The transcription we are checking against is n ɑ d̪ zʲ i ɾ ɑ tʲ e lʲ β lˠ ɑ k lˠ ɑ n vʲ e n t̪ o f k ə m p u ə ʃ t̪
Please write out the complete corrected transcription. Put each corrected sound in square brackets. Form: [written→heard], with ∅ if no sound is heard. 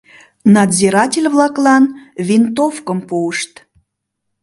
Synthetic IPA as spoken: n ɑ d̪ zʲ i ɾ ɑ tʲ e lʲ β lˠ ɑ k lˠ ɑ n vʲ [e→i] n t̪ o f k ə m p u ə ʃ t̪

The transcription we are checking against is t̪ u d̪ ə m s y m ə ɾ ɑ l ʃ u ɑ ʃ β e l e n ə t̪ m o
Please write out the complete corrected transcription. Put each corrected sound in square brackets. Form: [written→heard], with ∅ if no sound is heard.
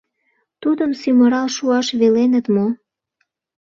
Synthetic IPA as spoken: t̪ u d̪ ə m s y m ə ɾ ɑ l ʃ u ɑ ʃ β e l e n ə t̪ m o

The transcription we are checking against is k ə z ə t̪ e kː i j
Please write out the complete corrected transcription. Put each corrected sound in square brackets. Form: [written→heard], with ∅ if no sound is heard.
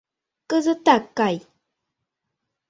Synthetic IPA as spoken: k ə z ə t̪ [e→a] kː [i→a] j

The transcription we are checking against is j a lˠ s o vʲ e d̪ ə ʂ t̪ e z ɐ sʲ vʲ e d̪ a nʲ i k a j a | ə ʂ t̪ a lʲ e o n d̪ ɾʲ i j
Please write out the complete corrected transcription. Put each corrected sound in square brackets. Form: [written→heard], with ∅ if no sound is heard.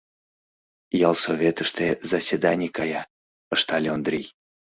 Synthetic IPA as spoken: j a lˠ s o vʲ e [d̪→t̪] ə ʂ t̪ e z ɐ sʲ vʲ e d̪ a nʲ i k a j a | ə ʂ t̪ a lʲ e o n d̪ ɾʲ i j

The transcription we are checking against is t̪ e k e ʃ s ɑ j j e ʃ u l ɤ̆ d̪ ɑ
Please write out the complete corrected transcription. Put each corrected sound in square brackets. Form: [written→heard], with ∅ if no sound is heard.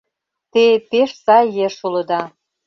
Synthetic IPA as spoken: t̪ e [k→p] e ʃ s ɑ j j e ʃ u l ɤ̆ d̪ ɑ

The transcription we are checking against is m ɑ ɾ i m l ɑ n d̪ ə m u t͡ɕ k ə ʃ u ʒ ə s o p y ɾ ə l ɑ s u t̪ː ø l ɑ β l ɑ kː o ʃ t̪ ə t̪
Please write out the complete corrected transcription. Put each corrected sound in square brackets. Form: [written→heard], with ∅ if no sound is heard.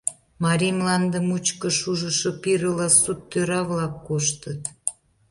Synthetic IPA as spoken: m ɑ ɾ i m l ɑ n d̪ ə m u t͡ɕ k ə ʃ u ʒ ə [s→ʃ] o p [y→i] ɾ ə l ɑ s u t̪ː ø [l→ɾ] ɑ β l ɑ kː o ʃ t̪ ə t̪

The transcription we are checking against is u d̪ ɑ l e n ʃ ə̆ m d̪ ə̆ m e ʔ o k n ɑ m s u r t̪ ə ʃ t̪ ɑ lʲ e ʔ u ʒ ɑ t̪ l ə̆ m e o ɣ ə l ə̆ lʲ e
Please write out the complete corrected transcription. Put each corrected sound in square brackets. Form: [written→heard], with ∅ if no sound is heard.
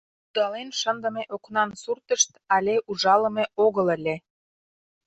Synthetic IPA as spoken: u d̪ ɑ l e n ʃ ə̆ [m→n] d̪ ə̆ m e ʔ o k n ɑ [m→n] s u r t̪ ə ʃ t̪ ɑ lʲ e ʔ u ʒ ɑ [t̪→∅] l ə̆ m e o ɣ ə l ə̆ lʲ e

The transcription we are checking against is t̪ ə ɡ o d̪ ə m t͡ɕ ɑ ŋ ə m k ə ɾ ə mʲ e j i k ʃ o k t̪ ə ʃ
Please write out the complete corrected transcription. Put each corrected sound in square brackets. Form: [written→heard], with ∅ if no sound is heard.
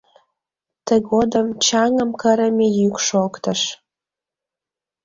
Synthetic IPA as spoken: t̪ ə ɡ o d̪ ə m t͡ɕ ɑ ŋ ə m k ə ɾ ə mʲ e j [i→y] k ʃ o k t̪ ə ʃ

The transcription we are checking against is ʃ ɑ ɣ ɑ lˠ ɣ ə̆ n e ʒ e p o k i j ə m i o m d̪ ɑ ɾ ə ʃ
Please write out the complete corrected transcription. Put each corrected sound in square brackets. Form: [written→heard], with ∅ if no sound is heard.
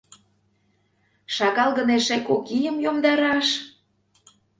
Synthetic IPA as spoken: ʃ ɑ ɣ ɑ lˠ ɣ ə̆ n e [ʒ→ʃ] e [p→k] o k i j ə m [i→j] o m d̪ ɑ ɾ [ə→ɑ] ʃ

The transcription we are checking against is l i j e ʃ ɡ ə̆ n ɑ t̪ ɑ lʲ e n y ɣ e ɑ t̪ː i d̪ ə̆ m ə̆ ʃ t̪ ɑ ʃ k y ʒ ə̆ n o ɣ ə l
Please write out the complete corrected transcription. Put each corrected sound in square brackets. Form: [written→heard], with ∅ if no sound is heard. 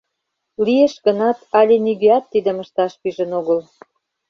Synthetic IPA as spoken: l i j e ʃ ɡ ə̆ n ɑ t̪ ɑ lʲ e n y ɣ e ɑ t̪ː i d̪ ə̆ m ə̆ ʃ t̪ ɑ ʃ [k→p] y ʒ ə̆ n o ɣ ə l

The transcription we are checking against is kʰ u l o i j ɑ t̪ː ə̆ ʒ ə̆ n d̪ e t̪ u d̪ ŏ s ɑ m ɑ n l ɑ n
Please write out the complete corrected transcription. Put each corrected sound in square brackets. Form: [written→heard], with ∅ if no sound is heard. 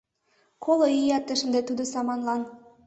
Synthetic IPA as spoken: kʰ [u→o] l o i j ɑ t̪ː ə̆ [ʒ→ʃ] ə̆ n d̪ e t̪ u d̪ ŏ s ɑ m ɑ n l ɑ n

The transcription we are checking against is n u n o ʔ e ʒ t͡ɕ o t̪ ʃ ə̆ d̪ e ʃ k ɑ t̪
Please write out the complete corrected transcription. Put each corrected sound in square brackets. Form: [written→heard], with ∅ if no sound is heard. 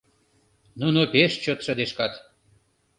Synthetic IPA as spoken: n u n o [ʔ→p] e [ʒ→ʃ] t͡ɕ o t̪ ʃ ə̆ d̪ e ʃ k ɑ t̪

